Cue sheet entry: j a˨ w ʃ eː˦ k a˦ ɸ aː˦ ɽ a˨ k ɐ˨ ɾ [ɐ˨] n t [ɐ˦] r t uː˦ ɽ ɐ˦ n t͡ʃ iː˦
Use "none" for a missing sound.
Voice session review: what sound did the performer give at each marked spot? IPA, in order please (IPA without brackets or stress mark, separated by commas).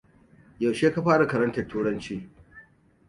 ɐ˦, ɐ˨